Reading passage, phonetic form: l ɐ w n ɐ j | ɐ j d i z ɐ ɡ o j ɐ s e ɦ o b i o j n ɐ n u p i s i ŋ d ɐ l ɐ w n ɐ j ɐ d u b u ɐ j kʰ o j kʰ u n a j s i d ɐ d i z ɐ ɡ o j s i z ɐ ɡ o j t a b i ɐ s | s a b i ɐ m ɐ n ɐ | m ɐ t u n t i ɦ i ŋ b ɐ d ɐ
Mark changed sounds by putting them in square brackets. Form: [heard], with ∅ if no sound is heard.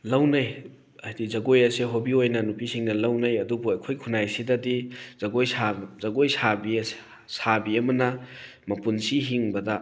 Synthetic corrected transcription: l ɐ w n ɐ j | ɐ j d i z ɐ ɡ o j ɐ s e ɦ o b i o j n ɐ n u p i s i ŋ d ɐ l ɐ w n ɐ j ɐ d u b u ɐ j kʰ o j kʰ u n a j s i d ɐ d i z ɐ ɡ o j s [a] z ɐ ɡ o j [s] a b i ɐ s | s a b i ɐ m ɐ n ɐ | m ɐ [p] u n [s] i ɦ i ŋ b ɐ d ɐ